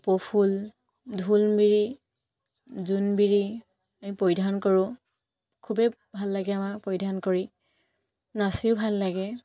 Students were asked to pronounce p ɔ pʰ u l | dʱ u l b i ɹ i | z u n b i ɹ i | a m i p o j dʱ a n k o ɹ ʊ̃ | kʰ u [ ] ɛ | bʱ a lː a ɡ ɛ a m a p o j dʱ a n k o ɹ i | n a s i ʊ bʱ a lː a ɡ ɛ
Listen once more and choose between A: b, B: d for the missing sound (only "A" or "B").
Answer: A